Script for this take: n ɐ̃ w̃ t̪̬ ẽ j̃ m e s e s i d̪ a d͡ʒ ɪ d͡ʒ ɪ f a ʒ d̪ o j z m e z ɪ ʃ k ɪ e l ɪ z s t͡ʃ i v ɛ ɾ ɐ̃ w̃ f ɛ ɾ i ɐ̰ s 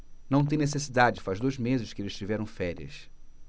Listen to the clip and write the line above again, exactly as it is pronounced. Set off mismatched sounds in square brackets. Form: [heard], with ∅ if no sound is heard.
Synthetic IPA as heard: n ɐ̃ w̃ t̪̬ ẽ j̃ [n] e s e s i d̪ a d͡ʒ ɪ d͡ʒ ɪ f a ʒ d̪ o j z m e z ɪ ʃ k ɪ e l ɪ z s t͡ʃ i v ɛ ɾ ɐ̃ w̃ f ɛ ɾ i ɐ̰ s